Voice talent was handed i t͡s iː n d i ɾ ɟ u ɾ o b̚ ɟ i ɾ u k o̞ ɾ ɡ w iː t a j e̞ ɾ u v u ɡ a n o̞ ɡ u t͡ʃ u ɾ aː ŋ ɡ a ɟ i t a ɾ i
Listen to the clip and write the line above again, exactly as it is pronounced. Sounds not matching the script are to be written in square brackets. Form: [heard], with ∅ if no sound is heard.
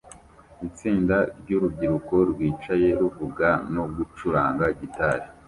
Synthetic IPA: i t͡s iː n d [a] ɾ ɟ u ɾ [u] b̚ ɟ i ɾ u k o̞ ɾ ɡ w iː [t͡ʃ] a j e̞ ɾ u v u ɡ a n o̞ ɡ u t͡ʃ u ɾ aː ŋ ɡ a ɟ i t a ɾ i